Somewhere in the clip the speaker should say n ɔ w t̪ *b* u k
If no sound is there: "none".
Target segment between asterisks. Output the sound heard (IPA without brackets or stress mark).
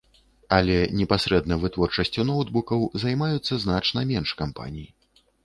b